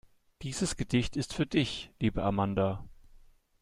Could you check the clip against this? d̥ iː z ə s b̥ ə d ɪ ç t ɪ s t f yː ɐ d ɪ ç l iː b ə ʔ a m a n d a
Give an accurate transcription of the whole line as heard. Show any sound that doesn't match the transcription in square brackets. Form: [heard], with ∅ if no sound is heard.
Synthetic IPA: d̥ iː z ə s [ɡ̥] ə d ɪ ç t ɪ s t f yː ɐ d ɪ ç l iː b ə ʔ a m a n d a